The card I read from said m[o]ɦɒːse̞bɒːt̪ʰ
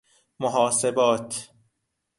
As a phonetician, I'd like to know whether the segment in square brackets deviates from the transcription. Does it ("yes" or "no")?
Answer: no